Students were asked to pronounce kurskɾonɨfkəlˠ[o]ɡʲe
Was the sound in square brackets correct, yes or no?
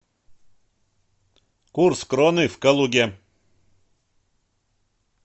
no